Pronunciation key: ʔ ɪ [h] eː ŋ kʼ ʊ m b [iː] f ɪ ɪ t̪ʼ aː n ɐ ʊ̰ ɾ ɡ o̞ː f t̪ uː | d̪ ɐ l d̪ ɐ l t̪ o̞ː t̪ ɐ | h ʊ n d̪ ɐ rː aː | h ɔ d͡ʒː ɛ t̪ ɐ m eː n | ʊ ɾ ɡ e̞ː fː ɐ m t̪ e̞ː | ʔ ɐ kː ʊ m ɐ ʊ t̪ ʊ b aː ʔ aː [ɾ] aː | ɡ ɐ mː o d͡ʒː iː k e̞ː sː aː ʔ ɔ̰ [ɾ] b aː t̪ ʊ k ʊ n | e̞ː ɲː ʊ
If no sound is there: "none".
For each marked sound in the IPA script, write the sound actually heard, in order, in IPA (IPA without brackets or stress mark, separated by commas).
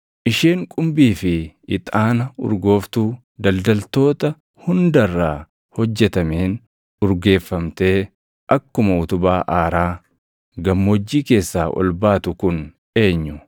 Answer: ʃ, iː, ɾ, l